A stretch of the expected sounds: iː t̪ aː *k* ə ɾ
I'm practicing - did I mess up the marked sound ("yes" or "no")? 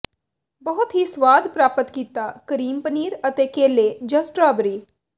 no